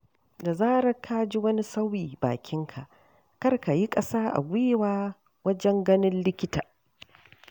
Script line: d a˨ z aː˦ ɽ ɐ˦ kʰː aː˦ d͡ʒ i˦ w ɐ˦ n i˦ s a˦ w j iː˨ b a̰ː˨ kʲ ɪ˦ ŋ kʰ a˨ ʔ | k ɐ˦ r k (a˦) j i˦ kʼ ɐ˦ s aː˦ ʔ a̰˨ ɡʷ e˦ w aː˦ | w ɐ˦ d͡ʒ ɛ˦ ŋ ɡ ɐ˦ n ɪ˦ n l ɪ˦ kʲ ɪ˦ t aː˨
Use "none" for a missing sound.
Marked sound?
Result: a˨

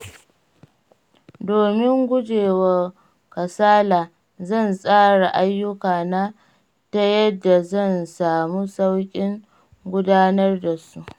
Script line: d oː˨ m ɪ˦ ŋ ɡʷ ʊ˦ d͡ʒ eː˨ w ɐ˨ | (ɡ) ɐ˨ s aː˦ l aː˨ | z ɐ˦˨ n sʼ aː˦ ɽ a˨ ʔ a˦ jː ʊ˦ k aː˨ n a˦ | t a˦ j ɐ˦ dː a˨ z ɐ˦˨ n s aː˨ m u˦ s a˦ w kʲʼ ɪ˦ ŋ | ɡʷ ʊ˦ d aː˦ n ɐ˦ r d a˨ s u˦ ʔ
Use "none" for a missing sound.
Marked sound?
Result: k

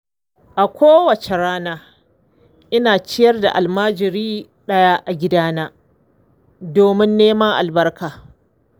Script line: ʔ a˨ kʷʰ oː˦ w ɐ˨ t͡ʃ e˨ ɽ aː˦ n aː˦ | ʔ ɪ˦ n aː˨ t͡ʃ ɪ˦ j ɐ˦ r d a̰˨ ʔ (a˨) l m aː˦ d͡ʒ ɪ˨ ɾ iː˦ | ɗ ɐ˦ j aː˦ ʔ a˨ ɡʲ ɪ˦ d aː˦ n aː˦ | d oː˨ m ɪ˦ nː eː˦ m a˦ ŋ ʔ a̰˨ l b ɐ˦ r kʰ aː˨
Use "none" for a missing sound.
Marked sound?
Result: a˨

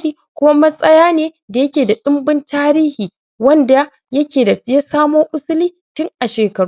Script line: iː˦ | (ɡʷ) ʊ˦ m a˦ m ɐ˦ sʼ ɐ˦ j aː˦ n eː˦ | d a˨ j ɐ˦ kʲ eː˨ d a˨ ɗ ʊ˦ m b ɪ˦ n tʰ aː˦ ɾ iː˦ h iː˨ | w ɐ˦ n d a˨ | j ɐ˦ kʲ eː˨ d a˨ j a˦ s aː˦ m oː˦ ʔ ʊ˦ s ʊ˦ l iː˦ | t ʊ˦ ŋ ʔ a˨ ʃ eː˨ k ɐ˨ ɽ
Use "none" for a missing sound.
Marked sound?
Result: kʷ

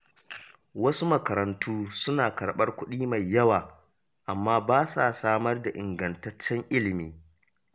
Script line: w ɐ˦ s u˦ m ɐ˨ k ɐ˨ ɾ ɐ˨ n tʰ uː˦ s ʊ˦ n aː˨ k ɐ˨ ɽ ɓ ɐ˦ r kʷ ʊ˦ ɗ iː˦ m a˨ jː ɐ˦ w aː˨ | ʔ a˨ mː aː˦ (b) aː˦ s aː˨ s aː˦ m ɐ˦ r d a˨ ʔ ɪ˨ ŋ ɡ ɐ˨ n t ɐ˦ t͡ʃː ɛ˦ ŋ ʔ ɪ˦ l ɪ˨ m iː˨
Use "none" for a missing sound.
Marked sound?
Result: b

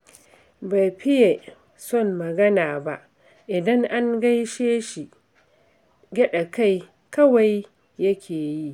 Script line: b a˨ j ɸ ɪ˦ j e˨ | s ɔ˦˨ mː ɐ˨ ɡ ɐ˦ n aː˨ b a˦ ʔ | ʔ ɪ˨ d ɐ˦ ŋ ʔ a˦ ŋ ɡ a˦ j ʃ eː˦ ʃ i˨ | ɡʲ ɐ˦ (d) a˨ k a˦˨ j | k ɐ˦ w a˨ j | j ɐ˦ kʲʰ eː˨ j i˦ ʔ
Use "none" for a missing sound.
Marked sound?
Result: ɗ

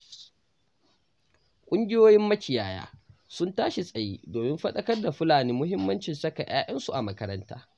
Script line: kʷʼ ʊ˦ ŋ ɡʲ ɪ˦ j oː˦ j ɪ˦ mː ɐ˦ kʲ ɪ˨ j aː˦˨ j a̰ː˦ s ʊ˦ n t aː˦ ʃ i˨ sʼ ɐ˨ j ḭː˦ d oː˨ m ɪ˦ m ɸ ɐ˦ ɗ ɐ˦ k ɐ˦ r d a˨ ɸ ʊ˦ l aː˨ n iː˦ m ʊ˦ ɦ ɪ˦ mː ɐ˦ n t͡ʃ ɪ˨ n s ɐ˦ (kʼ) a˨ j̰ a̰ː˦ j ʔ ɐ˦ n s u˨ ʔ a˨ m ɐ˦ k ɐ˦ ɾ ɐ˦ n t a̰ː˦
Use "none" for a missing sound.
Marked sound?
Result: k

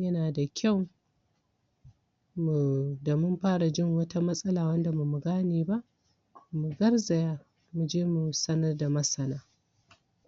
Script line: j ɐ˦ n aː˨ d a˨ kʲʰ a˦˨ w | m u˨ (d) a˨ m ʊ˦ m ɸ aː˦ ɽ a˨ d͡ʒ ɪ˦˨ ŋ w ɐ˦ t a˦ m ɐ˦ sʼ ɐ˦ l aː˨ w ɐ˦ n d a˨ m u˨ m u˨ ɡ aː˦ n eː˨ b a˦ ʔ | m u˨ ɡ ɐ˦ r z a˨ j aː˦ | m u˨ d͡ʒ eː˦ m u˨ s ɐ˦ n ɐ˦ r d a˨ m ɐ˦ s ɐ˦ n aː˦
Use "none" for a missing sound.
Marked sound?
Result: d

